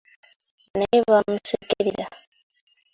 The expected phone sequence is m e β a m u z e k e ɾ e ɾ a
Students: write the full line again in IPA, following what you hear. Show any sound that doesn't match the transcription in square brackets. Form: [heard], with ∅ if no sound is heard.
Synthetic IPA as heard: [n] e β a m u [s] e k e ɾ [i] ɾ a